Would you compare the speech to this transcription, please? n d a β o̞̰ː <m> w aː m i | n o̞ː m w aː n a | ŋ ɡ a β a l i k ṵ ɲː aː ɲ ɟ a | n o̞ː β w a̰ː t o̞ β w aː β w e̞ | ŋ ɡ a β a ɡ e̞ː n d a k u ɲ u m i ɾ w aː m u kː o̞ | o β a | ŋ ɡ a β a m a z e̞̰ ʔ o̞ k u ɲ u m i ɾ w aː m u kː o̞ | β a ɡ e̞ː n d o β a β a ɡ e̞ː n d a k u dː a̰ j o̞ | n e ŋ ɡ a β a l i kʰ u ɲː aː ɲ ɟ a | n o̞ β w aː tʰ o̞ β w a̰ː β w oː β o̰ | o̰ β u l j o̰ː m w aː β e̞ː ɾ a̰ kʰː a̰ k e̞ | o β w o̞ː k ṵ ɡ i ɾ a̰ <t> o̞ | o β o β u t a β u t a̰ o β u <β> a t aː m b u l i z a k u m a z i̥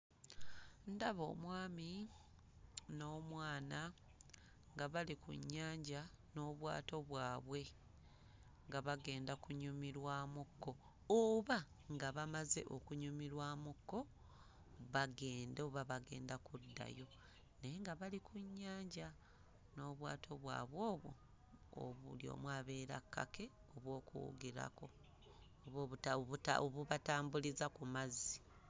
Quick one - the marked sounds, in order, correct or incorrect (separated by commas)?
correct, incorrect, correct